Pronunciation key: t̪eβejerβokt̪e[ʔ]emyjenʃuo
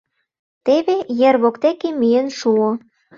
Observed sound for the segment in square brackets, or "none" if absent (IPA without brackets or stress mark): k